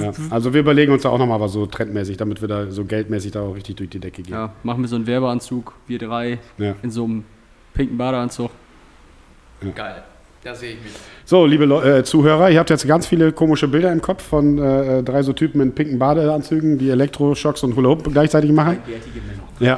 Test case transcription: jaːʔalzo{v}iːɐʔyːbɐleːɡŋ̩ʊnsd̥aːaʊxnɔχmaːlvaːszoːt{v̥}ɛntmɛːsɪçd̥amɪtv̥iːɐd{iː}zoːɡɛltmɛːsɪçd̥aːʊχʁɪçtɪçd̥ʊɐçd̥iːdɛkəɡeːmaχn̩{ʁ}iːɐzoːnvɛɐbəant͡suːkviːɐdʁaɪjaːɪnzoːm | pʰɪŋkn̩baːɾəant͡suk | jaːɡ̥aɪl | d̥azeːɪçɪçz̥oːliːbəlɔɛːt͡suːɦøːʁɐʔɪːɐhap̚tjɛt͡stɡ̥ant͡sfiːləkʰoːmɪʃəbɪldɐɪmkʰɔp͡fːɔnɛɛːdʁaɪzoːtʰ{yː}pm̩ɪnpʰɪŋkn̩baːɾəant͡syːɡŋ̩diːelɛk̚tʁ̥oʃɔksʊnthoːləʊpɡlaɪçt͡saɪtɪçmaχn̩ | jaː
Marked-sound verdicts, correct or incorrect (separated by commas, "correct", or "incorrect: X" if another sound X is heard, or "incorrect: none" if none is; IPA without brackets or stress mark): correct, incorrect: ʁ̥, incorrect: aː, incorrect: v, correct